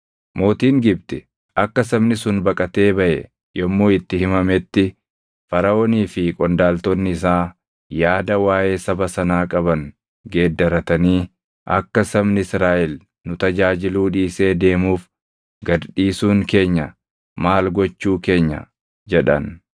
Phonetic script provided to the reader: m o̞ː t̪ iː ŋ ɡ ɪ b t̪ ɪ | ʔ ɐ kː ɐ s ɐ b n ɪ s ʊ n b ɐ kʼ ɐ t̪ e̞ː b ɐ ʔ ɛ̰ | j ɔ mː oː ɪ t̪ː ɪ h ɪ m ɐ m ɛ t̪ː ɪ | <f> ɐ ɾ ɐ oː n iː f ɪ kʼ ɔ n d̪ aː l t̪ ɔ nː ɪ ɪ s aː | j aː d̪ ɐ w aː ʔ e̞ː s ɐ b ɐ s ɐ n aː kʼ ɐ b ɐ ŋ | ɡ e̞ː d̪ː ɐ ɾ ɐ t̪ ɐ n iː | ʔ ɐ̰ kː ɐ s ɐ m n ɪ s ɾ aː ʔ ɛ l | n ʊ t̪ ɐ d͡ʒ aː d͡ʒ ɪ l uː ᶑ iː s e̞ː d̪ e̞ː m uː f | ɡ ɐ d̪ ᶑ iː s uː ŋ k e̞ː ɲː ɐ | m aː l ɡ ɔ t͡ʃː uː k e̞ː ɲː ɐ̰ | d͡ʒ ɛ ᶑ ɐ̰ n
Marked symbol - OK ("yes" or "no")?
yes